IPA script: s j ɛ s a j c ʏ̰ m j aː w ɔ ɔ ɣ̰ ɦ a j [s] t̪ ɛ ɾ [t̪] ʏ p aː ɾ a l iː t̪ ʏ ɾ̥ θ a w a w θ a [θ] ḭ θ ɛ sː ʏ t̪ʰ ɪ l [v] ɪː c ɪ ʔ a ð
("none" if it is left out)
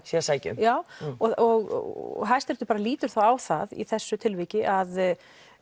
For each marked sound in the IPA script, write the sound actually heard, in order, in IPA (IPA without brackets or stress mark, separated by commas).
s, t̪, ð, v